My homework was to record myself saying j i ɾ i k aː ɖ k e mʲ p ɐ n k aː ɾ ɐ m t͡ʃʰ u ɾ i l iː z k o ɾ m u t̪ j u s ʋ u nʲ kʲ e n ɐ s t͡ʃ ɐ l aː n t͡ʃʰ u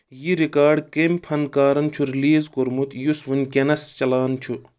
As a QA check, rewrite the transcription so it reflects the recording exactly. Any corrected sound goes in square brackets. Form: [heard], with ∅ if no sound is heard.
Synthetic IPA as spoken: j i ɾ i k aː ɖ k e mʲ [pʰ] ɐ n k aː ɾ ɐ [n] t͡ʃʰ u ɾ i l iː z k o ɾ m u t̪ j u s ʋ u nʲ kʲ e n ɐ s t͡ʃ ɐ l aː n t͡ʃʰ u